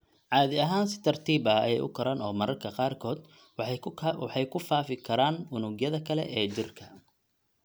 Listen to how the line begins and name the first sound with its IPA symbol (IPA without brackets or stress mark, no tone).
ʕ